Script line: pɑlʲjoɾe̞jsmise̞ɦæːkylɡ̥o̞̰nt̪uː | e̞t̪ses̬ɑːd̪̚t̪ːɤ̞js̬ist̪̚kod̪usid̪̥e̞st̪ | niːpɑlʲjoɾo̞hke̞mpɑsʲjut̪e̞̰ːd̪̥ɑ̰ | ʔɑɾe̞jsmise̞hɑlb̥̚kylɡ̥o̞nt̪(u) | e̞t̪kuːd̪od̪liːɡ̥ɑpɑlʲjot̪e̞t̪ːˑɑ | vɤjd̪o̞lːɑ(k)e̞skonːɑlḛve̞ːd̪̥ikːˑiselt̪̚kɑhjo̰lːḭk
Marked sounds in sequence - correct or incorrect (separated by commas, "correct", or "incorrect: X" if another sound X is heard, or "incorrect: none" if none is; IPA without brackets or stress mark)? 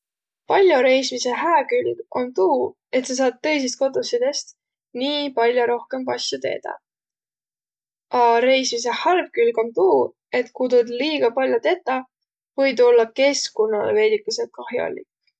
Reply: incorrect: uː, correct